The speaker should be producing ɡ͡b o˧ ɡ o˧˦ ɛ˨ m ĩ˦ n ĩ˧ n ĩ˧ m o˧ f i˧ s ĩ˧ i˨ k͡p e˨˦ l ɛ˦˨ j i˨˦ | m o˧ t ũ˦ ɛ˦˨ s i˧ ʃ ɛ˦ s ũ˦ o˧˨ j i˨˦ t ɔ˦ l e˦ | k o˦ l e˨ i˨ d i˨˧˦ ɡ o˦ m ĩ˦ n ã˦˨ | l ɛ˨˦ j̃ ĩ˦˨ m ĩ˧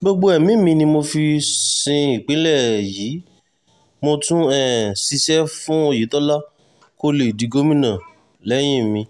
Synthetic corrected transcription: ɡ͡b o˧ ɡ͡b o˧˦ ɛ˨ m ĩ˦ m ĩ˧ n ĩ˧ m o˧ f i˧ s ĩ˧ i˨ k͡p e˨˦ l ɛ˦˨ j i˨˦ | m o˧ t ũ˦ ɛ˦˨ s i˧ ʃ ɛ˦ f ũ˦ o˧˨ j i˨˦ t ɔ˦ l a˦ | k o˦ l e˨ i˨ d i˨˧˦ ɡ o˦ m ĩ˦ n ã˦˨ | l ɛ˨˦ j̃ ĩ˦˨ m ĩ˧